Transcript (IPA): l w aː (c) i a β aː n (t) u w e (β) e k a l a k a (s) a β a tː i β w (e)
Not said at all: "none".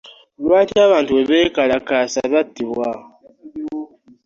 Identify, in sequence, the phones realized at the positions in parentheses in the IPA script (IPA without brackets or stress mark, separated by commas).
t, t, β, s, a